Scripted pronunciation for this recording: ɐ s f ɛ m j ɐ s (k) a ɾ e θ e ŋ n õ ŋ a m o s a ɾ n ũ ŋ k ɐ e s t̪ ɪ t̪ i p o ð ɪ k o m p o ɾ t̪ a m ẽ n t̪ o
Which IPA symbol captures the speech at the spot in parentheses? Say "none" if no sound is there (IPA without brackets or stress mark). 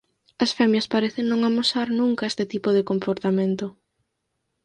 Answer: p